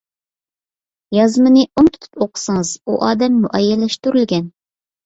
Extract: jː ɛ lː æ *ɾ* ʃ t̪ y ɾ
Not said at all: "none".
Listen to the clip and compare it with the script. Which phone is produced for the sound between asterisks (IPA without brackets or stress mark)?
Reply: none